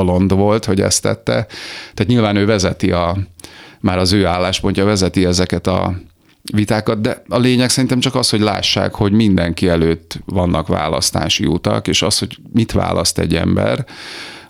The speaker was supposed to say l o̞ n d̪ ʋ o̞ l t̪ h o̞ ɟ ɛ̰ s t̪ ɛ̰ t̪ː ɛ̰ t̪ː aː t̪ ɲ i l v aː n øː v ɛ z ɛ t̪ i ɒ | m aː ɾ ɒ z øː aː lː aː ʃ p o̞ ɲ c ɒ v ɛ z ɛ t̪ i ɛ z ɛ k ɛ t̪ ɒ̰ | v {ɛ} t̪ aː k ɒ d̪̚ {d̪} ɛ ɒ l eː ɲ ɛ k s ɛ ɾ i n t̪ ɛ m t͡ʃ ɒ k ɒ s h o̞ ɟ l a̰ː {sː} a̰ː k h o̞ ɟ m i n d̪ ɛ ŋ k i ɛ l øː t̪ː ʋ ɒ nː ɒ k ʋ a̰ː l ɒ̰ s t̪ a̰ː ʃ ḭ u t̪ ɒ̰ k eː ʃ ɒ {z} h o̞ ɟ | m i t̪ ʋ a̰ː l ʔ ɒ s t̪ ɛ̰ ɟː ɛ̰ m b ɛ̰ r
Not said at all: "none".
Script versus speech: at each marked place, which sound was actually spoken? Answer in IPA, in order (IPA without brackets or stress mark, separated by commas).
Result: i, d̪, ʃː, s